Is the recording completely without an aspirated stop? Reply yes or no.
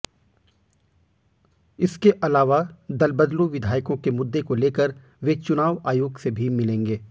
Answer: yes